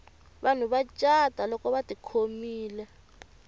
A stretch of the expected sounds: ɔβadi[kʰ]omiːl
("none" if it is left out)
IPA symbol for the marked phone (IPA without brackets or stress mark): kʰ